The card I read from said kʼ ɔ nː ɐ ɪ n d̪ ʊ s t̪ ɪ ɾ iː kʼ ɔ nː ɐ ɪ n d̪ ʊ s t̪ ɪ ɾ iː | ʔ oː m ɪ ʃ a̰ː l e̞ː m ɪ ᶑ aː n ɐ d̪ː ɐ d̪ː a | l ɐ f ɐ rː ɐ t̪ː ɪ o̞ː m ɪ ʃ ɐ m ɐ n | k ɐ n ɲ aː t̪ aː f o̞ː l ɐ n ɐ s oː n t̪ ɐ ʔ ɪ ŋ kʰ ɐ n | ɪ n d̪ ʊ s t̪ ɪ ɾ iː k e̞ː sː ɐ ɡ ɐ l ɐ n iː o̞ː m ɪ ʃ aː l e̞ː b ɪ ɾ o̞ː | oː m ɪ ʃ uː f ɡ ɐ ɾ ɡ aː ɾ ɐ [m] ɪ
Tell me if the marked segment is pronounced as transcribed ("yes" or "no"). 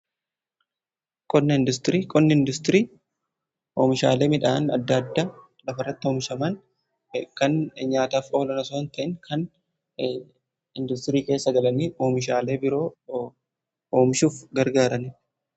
no